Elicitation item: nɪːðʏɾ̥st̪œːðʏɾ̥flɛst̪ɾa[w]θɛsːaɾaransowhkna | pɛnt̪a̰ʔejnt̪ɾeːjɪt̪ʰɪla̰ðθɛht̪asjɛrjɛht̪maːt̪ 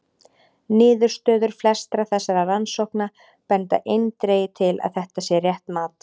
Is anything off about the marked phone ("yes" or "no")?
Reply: yes